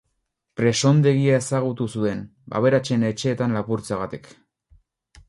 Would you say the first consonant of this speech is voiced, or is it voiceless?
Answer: voiceless